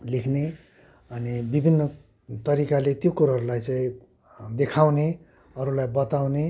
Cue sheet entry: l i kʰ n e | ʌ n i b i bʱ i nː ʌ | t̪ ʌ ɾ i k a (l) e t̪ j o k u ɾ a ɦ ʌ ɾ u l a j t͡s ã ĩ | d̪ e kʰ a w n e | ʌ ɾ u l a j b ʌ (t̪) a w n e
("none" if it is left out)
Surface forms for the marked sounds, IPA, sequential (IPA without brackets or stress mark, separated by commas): l, t̪